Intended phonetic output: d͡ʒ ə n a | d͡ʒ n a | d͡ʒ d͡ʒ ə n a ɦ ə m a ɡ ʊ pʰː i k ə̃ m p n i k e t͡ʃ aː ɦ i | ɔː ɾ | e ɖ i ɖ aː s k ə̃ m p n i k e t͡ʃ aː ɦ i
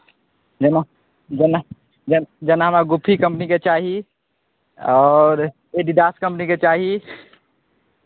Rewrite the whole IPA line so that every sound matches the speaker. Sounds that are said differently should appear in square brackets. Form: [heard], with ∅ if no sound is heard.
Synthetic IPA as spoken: d͡ʒ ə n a | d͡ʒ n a | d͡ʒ d͡ʒ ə n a ɦ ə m a ɡ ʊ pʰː i k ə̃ m p n i k e t͡ʃ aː ɦ i | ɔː ɾ | e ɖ i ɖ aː s k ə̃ m p n i k e t͡ʃ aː ɦ i